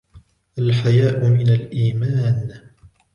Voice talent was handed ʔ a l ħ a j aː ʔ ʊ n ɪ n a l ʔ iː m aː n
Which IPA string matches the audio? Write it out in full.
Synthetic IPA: ʔ a l ħ a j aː ʔ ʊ m ɪ n a l ʔ iː m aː n